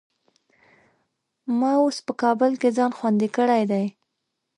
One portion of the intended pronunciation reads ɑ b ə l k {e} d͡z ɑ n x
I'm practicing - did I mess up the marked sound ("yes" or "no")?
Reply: no